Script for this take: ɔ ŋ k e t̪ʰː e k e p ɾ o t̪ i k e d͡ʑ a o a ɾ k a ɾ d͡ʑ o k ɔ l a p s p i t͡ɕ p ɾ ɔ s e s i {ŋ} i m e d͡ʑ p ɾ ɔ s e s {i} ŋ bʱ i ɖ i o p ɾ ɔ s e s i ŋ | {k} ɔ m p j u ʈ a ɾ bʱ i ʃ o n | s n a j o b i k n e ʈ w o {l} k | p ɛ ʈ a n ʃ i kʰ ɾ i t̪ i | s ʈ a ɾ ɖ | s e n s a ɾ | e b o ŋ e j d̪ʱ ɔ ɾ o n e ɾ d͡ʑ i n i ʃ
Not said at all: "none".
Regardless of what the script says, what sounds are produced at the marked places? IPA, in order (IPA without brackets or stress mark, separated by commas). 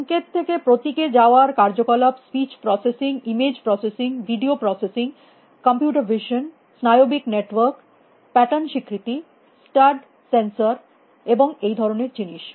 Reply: ŋ, i, k, ɾ